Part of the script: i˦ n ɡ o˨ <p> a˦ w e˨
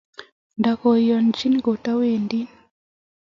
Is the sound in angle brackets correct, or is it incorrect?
incorrect: t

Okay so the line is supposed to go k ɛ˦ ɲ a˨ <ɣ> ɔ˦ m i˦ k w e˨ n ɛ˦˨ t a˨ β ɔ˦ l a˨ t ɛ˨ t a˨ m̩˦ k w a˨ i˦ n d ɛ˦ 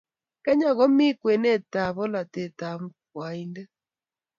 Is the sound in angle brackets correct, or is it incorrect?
correct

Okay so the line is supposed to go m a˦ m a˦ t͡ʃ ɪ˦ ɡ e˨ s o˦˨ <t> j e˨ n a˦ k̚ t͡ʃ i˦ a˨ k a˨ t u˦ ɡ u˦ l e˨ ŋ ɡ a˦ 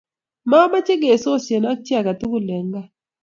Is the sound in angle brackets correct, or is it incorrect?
incorrect: s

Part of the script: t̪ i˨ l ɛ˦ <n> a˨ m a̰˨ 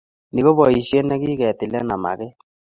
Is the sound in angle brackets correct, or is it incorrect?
correct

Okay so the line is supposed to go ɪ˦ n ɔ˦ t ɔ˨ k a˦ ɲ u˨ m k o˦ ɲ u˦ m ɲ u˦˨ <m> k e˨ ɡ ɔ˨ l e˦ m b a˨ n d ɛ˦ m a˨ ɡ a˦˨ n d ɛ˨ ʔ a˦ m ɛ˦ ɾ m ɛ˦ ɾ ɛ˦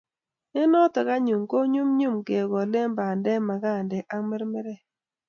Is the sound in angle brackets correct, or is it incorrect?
correct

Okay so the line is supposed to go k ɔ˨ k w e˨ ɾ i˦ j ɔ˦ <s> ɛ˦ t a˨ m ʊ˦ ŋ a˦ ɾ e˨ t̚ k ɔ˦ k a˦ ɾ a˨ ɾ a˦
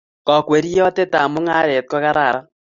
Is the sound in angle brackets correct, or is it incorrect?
incorrect: t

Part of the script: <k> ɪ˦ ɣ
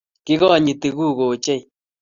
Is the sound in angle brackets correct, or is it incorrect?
correct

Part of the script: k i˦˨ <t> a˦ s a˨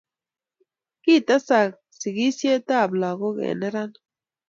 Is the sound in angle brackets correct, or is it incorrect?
correct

